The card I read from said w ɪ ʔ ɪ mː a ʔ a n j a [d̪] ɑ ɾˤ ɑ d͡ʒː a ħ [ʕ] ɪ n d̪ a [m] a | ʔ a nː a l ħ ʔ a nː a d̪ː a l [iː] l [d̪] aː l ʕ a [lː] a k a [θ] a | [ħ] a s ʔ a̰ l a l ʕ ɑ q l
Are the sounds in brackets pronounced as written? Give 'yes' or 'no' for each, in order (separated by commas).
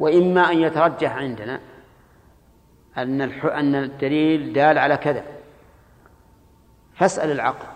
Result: no, yes, no, yes, yes, no, no, no